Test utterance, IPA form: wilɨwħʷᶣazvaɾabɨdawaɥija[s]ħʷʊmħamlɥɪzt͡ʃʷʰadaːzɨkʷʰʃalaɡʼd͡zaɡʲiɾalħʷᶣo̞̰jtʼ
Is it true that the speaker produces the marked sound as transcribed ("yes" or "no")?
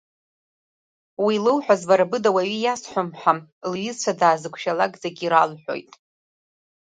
yes